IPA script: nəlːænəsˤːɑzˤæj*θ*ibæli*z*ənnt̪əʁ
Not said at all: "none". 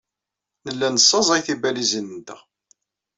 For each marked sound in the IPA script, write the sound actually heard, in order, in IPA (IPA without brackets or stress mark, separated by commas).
θ, z